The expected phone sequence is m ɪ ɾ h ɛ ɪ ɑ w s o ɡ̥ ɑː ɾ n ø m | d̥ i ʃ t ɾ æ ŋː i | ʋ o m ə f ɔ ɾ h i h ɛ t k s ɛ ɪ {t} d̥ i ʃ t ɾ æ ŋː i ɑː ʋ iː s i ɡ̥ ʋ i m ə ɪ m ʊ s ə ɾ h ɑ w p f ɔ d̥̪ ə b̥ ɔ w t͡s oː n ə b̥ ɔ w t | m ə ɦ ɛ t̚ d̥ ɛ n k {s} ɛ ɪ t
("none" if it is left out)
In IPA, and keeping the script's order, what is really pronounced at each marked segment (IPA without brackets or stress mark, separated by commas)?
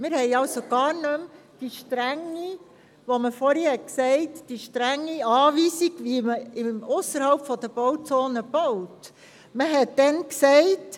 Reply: t, s